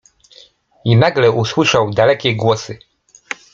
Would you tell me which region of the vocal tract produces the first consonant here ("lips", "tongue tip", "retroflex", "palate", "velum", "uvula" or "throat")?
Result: tongue tip